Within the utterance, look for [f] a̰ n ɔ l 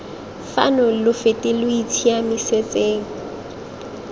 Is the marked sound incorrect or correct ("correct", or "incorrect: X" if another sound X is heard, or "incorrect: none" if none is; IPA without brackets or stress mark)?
correct